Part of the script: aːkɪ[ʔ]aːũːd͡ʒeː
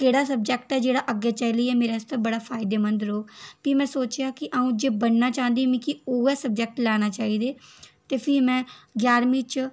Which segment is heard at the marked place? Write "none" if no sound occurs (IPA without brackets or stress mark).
ʔ